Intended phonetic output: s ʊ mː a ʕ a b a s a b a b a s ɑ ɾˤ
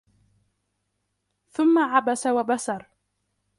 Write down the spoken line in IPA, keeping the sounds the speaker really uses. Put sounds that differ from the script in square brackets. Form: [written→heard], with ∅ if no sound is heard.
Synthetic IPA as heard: [s→θ] ʊ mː a ʕ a b a s a [b→w] a b a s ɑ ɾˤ